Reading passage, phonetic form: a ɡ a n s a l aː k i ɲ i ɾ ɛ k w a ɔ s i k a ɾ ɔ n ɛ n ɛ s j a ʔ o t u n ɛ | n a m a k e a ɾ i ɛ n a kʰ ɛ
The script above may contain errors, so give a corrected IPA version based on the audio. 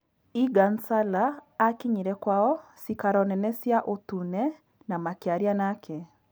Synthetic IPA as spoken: i ɡ a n s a l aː k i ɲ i ɾ ɛ k w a ɔ s i k a ɾ ɔ n ɛ n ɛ s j a ʔ o t u n ɛ | n a m a k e a ɾ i a n a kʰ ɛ